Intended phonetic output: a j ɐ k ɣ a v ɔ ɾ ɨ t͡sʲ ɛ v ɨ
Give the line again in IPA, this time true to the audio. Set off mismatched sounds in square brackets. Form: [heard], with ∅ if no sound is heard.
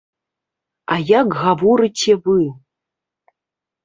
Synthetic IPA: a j [a] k ɣ a v ɔ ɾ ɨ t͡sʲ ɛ v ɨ